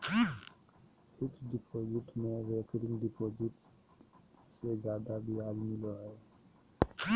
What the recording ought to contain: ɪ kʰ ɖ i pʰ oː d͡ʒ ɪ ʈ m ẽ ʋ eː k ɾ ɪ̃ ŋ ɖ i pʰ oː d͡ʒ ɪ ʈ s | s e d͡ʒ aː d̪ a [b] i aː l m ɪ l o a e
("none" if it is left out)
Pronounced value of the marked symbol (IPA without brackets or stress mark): b